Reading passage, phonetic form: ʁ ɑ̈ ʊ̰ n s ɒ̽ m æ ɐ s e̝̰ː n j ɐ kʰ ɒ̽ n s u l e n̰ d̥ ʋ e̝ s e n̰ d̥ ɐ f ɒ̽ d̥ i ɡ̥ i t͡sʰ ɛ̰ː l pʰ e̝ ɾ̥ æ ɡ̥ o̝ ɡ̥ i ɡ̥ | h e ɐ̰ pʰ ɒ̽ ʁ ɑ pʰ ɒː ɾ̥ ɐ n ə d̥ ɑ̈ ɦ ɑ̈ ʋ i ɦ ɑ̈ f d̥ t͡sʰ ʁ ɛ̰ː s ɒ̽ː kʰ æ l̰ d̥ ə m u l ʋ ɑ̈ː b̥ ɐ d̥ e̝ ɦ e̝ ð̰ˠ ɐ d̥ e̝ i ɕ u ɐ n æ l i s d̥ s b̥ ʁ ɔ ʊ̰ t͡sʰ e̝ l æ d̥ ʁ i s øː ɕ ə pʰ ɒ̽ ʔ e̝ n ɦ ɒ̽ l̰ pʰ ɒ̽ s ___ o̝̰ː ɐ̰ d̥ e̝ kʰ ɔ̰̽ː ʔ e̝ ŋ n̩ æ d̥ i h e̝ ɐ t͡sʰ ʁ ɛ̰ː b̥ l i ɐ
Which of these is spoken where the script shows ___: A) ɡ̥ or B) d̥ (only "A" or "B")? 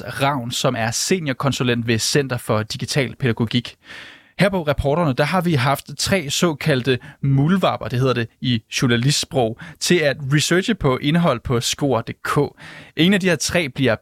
A